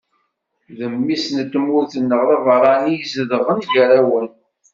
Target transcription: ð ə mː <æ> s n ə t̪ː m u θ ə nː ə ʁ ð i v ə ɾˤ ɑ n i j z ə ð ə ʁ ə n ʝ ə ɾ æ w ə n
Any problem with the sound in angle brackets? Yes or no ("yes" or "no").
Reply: yes